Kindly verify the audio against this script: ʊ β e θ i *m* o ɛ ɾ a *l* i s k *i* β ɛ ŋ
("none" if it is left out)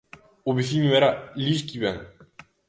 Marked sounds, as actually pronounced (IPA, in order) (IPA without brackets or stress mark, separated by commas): ɲ, l, i